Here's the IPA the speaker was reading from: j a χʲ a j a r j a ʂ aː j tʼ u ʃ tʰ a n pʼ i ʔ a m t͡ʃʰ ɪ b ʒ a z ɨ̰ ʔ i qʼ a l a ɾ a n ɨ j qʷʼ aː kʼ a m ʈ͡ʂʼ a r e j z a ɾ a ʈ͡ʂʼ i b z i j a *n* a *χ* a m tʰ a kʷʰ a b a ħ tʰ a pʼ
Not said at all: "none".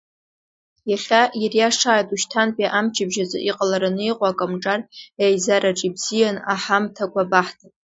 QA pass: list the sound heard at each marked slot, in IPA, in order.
n, ħ

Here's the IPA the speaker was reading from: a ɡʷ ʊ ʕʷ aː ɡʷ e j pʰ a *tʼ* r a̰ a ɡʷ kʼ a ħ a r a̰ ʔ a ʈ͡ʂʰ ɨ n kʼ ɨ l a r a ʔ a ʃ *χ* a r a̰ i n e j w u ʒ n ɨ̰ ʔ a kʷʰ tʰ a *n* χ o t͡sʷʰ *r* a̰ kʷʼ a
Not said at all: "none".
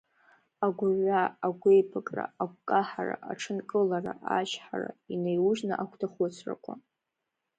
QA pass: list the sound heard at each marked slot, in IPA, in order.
kʼ, ħ, none, r

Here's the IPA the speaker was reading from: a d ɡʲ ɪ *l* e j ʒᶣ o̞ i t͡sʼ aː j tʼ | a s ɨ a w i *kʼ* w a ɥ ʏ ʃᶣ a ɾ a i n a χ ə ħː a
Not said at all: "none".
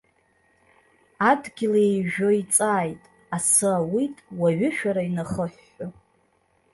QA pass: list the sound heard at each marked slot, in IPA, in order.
l, tʼ

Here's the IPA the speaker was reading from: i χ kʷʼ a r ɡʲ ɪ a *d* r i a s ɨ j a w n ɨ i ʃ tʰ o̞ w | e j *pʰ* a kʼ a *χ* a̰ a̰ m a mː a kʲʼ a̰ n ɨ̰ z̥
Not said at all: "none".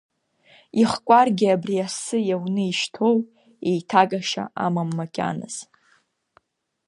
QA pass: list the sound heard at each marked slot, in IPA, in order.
b, tʰ, ʃ

